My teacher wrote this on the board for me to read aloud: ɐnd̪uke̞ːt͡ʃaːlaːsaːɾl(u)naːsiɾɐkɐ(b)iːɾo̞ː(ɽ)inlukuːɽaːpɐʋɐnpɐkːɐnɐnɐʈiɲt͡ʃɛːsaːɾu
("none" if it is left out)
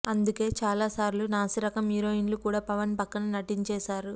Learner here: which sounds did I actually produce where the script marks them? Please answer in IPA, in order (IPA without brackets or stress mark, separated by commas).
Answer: u, m, none